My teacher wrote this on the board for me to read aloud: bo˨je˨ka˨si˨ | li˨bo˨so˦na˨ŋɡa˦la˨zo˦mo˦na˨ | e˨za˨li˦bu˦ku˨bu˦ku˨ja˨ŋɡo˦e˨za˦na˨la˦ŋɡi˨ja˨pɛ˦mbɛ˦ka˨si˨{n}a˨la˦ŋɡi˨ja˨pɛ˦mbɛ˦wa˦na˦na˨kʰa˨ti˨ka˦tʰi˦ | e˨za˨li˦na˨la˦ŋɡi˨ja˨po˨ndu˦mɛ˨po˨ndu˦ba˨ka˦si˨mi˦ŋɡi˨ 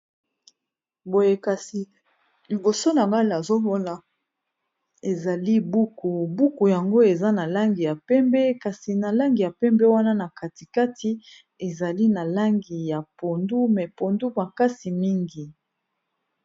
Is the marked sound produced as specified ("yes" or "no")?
yes